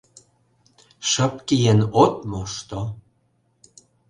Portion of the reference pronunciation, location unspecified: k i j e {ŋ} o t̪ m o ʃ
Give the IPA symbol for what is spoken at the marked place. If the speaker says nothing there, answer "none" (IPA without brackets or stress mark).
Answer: n